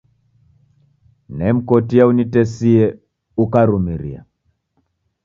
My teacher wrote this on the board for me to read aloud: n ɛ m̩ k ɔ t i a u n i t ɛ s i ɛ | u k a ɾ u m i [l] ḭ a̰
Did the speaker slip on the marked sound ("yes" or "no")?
yes